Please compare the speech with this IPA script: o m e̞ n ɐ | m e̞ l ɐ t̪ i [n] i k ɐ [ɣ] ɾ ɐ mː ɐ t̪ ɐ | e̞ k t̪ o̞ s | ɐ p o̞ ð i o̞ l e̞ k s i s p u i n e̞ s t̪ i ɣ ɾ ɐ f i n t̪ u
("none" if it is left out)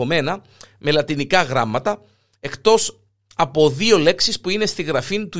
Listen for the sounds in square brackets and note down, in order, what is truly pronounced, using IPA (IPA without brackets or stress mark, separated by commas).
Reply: n, ɣ